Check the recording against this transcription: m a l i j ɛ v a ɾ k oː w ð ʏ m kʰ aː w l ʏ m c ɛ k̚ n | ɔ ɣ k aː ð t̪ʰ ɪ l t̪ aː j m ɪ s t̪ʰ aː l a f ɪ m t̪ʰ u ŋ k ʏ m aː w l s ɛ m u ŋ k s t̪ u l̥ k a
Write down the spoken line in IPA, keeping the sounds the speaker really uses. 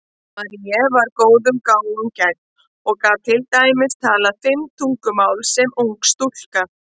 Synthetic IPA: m a ɾ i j ɛ v a ɾ k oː w ð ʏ m k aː w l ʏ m c ɛ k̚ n | ɔ ɣ k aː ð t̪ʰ ɪ l t̪ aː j m ɪ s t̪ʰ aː l a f ɪ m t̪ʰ u ŋ k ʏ m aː w l s ɛ m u ŋ k s t̪ u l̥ k a